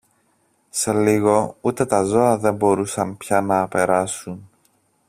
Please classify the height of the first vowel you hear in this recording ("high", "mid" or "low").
mid